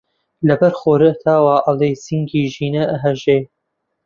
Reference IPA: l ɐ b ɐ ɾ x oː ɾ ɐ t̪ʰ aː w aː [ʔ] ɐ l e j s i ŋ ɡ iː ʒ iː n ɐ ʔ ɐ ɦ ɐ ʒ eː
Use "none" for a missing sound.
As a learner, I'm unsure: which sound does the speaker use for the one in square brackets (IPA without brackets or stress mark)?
ʔ